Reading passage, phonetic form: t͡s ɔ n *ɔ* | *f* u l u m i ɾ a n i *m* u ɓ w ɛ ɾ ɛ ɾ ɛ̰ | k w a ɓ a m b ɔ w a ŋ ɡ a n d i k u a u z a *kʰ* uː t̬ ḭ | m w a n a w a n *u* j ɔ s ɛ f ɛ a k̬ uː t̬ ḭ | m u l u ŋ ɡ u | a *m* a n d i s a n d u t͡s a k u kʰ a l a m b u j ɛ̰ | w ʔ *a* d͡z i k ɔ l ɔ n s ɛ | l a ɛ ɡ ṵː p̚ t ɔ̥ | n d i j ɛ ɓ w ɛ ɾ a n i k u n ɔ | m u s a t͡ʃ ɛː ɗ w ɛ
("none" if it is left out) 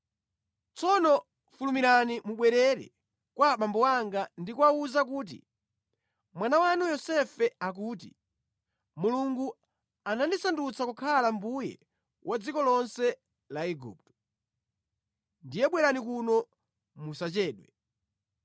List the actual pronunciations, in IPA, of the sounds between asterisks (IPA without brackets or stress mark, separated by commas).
ɔ, f, m, k, u, n, a